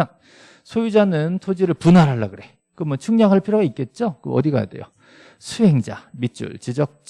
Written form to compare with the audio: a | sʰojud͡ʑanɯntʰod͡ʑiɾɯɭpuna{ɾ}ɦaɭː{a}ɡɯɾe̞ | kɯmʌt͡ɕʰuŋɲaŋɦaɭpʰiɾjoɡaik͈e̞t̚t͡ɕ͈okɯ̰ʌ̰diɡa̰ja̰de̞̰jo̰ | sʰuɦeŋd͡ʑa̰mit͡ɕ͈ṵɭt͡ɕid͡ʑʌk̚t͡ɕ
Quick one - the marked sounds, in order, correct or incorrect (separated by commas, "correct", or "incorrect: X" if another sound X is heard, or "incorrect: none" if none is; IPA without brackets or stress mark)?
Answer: correct, correct